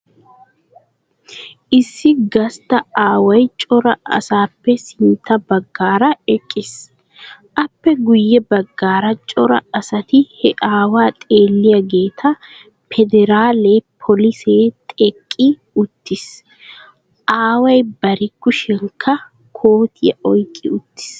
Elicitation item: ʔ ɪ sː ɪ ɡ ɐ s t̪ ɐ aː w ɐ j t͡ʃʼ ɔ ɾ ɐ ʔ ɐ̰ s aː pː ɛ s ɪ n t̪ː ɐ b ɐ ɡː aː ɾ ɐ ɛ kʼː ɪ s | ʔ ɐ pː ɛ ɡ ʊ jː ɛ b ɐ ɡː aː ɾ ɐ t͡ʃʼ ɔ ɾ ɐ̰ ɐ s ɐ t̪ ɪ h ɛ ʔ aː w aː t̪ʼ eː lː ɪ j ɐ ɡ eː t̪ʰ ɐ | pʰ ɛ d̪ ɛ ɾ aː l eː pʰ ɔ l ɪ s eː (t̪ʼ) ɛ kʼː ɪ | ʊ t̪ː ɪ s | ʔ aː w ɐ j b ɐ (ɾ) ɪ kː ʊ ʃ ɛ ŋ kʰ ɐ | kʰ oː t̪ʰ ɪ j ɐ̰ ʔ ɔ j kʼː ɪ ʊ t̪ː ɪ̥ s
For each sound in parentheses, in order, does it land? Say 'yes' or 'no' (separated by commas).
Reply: yes, yes